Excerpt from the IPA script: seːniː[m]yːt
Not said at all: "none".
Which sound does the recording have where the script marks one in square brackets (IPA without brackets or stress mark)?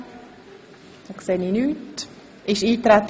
n